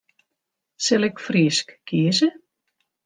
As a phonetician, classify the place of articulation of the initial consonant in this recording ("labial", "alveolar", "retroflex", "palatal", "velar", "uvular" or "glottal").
alveolar